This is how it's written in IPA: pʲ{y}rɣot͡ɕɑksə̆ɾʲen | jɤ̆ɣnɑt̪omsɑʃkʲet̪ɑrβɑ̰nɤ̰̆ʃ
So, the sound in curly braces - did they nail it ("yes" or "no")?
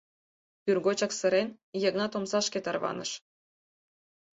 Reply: yes